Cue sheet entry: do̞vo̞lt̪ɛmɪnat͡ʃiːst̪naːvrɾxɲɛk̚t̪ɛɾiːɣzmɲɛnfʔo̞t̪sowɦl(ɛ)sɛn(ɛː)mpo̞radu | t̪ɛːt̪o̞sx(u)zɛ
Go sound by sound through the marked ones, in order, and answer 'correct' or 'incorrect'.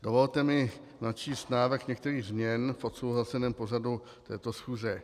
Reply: incorrect: a, correct, incorrect: uː

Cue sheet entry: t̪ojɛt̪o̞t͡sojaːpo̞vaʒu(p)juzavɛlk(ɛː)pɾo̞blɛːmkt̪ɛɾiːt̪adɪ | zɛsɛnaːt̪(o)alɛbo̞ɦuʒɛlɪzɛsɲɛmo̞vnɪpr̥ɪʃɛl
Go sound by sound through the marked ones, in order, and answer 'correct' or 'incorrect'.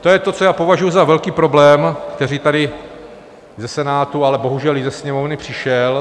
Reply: incorrect: none, incorrect: iː, incorrect: u

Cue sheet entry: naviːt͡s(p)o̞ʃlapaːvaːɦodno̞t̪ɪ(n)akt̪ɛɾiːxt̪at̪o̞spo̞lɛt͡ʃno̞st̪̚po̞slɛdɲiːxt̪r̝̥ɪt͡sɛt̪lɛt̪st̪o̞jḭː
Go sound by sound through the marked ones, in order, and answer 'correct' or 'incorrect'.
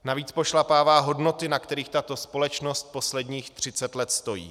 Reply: correct, correct

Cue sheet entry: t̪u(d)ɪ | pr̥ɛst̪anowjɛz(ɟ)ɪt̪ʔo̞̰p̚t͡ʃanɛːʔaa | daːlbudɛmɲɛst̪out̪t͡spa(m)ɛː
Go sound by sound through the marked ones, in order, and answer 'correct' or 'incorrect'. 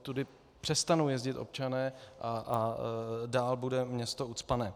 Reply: correct, correct, incorrect: n

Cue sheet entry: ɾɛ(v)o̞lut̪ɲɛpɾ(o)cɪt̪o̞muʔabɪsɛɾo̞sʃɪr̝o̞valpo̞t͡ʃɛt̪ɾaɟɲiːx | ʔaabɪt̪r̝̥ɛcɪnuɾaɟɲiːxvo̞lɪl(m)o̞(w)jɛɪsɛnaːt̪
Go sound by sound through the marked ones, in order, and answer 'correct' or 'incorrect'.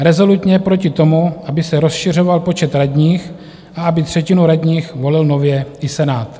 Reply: incorrect: z, correct, incorrect: n, incorrect: v

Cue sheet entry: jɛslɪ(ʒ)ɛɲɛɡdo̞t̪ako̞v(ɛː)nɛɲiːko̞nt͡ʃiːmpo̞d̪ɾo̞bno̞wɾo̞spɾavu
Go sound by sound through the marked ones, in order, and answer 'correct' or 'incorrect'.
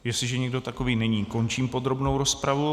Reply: correct, incorrect: iː

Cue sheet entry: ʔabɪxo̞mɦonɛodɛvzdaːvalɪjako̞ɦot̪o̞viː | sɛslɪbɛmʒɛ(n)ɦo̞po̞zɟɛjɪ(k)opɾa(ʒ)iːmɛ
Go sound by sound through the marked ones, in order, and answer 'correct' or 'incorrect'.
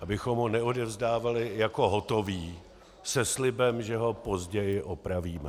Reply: incorrect: none, incorrect: ʔ, incorrect: v

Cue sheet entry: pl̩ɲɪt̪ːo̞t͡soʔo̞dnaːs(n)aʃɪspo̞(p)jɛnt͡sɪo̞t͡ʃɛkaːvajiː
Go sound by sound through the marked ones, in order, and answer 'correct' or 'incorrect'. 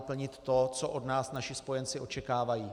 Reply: correct, incorrect: none

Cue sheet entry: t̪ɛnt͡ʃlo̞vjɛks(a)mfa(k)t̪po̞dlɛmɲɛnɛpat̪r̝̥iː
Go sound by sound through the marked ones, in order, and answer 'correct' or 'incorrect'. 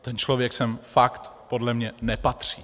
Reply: incorrect: ɛ, correct

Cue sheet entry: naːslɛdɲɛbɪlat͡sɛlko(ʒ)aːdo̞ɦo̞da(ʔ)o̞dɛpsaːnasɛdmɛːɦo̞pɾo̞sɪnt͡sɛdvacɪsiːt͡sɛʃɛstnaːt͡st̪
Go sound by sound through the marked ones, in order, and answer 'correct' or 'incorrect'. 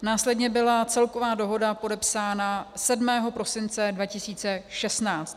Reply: incorrect: v, incorrect: p

